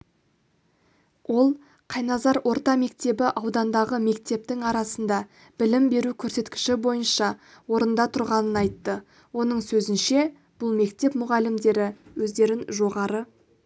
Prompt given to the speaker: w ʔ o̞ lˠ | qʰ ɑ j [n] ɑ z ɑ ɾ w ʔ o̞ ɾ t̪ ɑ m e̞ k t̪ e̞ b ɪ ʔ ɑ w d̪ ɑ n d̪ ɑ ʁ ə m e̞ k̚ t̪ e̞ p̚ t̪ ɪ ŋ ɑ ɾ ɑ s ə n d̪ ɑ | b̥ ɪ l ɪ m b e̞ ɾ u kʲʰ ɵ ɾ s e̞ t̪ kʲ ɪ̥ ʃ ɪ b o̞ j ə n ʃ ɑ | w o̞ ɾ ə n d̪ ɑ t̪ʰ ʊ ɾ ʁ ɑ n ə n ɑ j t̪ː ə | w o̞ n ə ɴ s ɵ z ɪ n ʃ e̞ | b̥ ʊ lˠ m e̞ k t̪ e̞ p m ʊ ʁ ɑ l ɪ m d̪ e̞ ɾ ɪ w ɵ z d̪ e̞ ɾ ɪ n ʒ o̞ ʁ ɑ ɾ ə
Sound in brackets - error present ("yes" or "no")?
no